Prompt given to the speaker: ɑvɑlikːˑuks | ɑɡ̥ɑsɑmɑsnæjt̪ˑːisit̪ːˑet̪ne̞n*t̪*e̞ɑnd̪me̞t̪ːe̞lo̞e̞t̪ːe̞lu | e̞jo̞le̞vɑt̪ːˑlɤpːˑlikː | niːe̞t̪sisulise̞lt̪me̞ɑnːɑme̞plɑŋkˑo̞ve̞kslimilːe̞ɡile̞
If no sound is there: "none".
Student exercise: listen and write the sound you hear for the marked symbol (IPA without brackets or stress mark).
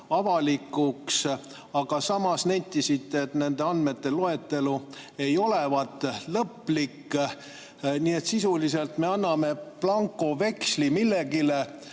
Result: d̪